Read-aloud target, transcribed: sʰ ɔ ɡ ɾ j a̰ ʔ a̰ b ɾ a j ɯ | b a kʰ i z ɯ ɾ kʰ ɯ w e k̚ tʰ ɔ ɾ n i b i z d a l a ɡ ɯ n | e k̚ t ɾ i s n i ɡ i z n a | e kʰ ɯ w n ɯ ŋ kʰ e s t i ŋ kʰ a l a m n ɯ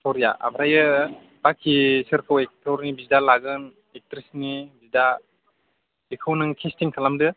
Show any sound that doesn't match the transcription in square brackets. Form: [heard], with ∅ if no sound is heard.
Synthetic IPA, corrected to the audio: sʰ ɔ [∅] ɾ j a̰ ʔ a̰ b ɾ a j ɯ | b a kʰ i [s] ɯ ɾ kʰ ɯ w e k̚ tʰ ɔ ɾ n i b i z d a l a ɡ ɯ n | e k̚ t ɾ i s n i [b] i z [d] a | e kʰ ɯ w n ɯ ŋ kʰ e s t i ŋ kʰ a l a m [d] ɯ